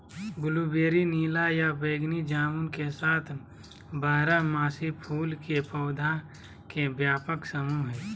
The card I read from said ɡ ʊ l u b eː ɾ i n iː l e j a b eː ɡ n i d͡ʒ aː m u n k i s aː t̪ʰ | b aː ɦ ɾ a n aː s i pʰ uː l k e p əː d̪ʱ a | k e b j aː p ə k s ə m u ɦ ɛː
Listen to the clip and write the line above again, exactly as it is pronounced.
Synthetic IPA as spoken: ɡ ʊ l u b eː ɾ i n iː l a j a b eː ɡ n i d͡ʒ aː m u n k e s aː t̪ʰ | b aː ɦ ɾ a m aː s i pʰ uː l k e p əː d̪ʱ a | k e b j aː p ə k s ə m u ɦ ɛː